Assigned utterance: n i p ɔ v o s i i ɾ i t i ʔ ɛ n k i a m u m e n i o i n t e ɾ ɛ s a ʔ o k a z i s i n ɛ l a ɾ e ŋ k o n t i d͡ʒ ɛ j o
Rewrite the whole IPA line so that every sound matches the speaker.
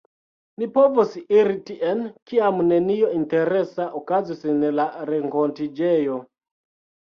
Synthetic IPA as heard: n i p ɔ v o s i i ɾ i t i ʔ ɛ n k i a m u n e n i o i n t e ɾ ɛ s a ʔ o k a z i s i n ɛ l a ɾ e ŋ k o n t i d͡ʒ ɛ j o